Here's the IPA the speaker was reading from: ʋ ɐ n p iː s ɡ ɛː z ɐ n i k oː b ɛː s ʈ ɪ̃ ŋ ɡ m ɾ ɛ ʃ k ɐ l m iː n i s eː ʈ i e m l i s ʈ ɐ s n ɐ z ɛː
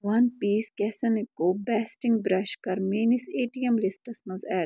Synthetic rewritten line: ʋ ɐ n p iː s k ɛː s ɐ n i k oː b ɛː s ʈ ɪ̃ ŋ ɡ b ɾ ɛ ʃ k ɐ ɾ m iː n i s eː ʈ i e m l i s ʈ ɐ s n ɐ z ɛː